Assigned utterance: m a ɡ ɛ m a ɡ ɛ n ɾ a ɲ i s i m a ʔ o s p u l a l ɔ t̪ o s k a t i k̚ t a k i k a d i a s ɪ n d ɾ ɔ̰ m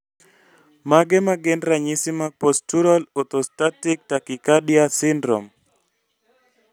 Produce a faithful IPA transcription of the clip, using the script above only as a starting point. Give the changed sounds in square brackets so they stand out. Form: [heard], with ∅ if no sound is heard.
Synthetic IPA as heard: m a ɡ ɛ m a ɡ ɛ n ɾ a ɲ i s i m a [p] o s [t] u [ɾ] a l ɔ t̪ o s [t] a t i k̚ t a k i k a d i a s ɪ n d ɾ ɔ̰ m

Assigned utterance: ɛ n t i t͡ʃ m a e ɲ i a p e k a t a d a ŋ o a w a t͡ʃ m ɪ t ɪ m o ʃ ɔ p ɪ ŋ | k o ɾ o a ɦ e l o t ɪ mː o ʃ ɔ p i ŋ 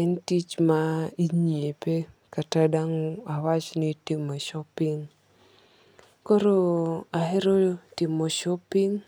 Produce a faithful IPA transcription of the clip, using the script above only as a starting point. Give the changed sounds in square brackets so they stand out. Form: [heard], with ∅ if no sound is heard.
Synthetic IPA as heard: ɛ n t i t͡ʃ m a [i] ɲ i [e] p e k a t a d a ŋ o a w a t͡ʃ [n] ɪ t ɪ m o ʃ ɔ p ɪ ŋ | k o ɾ o a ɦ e [ɾ] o t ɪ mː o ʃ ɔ p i ŋ

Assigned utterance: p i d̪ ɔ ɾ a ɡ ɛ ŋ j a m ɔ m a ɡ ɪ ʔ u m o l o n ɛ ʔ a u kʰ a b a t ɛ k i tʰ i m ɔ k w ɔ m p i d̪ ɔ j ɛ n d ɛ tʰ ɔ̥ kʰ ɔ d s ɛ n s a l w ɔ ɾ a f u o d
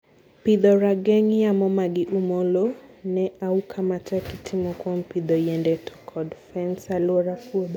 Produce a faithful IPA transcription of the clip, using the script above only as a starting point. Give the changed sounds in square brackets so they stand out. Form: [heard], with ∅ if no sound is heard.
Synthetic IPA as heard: p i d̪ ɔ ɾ a ɡ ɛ ŋ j a m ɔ m a ɡ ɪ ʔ u m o l o n ɛ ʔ a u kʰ a [m] a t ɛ k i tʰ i m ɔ k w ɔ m p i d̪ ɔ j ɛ n d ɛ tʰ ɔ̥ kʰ ɔ d [f] ɛ n s a l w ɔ ɾ a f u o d

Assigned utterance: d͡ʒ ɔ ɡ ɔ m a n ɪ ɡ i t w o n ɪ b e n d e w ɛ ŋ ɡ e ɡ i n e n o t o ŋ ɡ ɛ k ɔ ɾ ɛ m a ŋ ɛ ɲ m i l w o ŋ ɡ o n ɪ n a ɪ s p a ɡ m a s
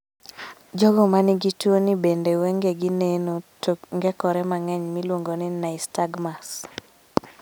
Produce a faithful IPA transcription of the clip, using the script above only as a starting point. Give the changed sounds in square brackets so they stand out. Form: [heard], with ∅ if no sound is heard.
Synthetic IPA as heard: d͡ʒ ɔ ɡ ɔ m a n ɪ ɡ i t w o n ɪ b e n d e w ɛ ŋ ɡ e ɡ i n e n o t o ŋ ɡ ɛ k ɔ ɾ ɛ m a ŋ ɛ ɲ m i l w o ŋ ɡ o n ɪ n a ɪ s [t] a ɡ m a s

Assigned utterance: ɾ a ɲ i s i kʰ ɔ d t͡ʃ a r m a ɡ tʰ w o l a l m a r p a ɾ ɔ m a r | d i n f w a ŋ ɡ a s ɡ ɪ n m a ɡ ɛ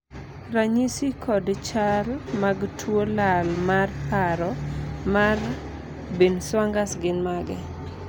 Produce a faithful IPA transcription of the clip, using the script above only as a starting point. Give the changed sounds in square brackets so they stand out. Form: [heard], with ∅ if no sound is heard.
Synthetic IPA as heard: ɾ a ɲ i s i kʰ ɔ d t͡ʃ a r m a ɡ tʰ w o l a l m a r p a ɾ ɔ m a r | [b] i n [s] w a ŋ ɡ a s ɡ ɪ n m a ɡ ɛ

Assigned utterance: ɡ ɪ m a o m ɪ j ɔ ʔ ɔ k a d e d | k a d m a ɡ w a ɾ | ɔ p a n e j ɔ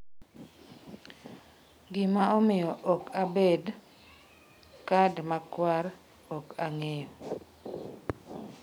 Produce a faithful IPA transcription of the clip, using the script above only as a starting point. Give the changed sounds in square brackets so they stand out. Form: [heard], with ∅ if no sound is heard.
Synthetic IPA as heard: ɡ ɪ m a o m ɪ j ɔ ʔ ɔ k a [b] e d | k a d m a [k] w a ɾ | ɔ [k] a [ŋ] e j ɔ

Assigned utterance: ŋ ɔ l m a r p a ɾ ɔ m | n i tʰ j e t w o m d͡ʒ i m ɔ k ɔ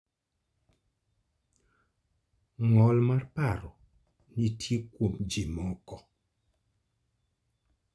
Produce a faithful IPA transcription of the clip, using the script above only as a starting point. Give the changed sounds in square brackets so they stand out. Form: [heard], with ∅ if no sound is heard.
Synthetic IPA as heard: ŋ ɔ l m a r p a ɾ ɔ [∅] | n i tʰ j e [k] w o m d͡ʒ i m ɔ k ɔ

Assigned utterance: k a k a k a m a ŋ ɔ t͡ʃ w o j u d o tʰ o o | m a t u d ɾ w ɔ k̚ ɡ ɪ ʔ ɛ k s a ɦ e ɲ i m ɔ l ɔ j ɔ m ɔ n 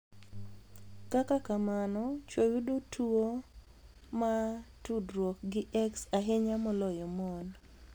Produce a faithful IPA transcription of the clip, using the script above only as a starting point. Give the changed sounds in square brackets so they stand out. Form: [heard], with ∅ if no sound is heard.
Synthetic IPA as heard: k a k a k a m a [n] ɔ t͡ʃ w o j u d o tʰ [u] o | m a t u d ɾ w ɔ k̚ ɡ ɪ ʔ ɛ k s a ɦ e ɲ [a] m ɔ l ɔ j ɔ m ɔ n

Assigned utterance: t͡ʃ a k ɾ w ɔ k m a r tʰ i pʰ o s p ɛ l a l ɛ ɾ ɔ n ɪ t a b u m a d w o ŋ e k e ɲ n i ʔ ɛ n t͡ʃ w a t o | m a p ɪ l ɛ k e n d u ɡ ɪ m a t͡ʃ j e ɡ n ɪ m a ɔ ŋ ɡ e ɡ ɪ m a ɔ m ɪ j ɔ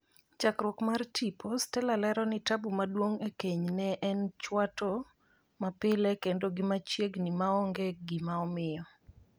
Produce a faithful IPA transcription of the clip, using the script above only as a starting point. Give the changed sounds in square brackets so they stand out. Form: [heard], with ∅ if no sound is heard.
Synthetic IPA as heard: t͡ʃ a k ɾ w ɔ k m a r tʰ i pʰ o s [t] ɛ l a l ɛ ɾ ɔ n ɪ t a b u m a d w o ŋ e k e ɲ n [ɛ] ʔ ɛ n t͡ʃ w a t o | m a p ɪ l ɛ k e n d [o] ɡ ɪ m a t͡ʃ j e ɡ n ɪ m a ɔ ŋ ɡ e ɡ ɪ m a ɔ m ɪ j ɔ

